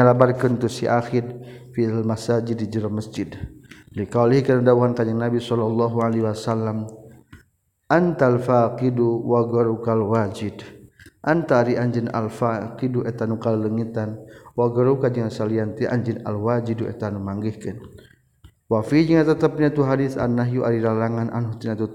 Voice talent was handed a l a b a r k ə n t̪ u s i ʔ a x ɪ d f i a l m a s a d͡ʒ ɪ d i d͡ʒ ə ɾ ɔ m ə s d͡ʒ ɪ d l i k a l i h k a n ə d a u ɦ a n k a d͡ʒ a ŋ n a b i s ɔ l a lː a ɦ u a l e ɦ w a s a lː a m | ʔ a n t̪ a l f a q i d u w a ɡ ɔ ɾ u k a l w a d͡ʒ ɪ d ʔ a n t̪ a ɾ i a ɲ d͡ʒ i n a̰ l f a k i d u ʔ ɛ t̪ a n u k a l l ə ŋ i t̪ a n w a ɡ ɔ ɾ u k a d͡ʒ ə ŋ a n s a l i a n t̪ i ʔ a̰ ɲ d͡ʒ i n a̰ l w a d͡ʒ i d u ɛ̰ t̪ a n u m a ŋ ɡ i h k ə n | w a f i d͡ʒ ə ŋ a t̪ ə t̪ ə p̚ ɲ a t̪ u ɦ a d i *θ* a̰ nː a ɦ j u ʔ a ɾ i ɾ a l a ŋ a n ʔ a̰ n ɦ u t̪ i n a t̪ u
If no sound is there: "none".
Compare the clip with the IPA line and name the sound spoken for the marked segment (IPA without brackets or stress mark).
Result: θ